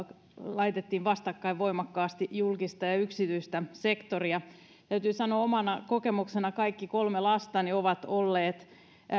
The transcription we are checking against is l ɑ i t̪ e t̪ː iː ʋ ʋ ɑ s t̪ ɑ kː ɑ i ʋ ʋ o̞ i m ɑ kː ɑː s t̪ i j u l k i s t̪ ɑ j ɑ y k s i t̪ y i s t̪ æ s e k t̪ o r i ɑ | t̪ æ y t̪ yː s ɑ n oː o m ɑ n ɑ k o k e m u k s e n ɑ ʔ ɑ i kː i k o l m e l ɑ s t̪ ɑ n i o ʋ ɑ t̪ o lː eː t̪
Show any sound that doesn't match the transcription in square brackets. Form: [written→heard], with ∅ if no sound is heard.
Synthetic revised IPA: l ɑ i t̪ e t̪ː iː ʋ ʋ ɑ s t̪ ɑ kː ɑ i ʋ ʋ o̞ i m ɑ kː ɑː s t̪ i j u l k i s t̪ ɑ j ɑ y k s i t̪ y i s t̪ æ s e k t̪ o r i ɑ | t̪ æ y t̪ yː s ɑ n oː o m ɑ n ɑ k o k e m u k s e n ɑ [ʔ→k] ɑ i kː i k o l m e l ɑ s t̪ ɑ n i o ʋ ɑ t̪ o lː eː t̪